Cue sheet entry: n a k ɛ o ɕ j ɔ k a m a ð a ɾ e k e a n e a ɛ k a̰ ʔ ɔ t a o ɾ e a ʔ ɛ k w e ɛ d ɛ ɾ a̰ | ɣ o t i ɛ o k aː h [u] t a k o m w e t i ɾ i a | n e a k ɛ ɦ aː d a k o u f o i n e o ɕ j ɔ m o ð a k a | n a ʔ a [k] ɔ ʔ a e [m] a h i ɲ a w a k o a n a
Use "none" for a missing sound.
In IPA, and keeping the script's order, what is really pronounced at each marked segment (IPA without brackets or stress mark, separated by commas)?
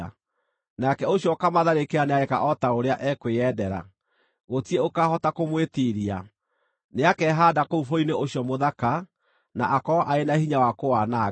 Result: ɔ, k, n